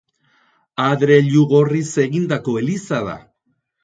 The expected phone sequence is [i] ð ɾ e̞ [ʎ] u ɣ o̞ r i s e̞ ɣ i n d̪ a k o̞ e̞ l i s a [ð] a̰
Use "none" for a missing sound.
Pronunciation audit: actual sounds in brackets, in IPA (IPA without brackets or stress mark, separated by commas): a, ʎ, ð